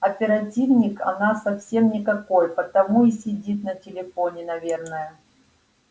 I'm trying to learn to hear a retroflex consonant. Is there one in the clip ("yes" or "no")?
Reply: no